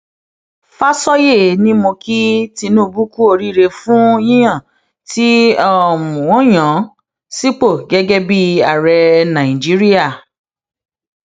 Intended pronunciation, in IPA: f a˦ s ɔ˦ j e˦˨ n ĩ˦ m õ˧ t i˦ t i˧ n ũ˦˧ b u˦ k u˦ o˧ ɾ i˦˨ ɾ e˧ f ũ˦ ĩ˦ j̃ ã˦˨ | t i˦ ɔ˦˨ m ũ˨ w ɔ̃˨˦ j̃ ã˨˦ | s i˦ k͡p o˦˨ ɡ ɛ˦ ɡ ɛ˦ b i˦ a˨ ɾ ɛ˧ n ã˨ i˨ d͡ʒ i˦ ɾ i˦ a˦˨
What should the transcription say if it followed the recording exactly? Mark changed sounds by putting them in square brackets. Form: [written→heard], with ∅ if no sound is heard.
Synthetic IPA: f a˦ s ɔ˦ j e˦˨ n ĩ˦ m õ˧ [t→k] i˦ t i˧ n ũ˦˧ b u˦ k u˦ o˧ ɾ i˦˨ ɾ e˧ f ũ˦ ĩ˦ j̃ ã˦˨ | t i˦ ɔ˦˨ m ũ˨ w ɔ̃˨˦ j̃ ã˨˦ | s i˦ k͡p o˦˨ ɡ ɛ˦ ɡ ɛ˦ b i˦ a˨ ɾ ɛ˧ n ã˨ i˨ d͡ʒ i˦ ɾ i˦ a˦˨